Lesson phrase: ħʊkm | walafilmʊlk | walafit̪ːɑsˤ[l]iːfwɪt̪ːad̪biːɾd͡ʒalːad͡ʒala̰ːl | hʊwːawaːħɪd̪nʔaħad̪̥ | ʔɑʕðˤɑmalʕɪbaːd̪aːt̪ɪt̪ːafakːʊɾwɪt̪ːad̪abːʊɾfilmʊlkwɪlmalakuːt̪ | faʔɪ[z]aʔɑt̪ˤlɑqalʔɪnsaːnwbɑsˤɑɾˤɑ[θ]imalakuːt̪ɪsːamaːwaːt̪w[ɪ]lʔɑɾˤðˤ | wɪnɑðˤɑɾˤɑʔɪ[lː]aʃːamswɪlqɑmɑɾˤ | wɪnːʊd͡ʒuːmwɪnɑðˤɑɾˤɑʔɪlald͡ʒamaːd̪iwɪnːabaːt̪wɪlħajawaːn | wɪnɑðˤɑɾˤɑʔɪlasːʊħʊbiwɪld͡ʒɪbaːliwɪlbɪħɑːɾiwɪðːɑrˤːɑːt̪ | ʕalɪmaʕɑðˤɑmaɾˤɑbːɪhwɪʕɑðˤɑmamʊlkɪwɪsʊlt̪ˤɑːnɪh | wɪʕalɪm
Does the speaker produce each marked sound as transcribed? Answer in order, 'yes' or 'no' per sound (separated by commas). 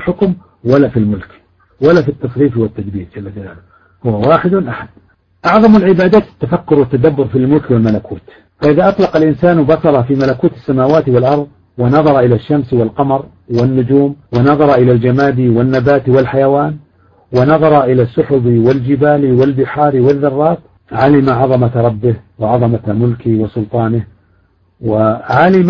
no, no, no, yes, no